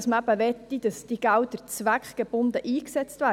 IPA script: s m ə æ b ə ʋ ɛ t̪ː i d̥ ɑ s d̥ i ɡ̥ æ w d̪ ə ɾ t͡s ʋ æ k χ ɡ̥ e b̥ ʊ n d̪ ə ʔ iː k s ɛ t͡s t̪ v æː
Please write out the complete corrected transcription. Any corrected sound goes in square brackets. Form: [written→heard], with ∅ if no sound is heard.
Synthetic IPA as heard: s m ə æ b ə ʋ ɛ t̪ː i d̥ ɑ s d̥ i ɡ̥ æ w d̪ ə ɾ t͡s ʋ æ k χ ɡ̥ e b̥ ʊ n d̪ ə ʔ iː k s ɛ t͡s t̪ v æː

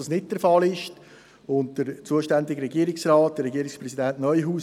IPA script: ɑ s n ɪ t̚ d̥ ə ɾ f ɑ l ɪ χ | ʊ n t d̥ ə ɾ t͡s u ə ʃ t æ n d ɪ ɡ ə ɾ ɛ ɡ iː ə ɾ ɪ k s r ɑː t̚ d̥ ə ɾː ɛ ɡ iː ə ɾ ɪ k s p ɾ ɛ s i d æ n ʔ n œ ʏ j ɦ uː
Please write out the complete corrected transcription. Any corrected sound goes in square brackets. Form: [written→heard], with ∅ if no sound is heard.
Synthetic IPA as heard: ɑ s n ɪ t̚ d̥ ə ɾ f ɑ l ɪ [χ→ʃ] | ʊ n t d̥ ə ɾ t͡s u ə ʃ t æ n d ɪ ɡ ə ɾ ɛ ɡ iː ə ɾ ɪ k s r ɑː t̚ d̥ ə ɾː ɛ ɡ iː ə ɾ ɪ k s p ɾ ɛ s i d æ n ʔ n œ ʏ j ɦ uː

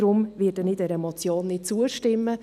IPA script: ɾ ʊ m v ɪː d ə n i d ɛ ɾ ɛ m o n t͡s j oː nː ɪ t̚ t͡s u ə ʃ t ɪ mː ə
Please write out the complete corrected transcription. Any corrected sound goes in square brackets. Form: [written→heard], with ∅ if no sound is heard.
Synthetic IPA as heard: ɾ ʊ m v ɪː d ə n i d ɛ ɾ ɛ m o [n→∅] t͡s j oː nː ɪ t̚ t͡s u ə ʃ t ɪ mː ə

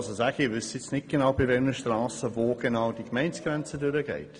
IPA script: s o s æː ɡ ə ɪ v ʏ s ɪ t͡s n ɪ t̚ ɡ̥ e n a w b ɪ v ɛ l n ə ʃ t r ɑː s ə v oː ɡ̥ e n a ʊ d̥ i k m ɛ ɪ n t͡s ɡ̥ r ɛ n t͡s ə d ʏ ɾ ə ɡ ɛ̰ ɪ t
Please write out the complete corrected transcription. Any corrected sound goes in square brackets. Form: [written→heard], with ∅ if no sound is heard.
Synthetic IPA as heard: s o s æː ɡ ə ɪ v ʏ s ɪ t͡s n ɪ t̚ ɡ̥ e n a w b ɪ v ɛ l n ə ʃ t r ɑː s ə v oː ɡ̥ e n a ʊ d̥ i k m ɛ ɪ n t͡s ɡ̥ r ɛ n t͡s ə d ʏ ɾ ə ɡ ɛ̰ ɪ t

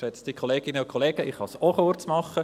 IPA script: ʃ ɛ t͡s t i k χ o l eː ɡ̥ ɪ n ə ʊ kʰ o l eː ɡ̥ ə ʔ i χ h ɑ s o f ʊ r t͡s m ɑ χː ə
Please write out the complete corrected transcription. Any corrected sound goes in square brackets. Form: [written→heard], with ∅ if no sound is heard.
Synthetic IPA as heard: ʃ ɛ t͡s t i k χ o l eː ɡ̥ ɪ n ə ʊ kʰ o l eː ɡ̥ ə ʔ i χ h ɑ s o [f→χ] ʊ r t͡s m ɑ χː ə

